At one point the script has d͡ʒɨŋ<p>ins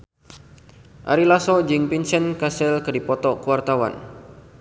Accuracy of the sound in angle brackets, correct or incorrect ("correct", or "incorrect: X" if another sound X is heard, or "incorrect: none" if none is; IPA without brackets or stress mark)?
correct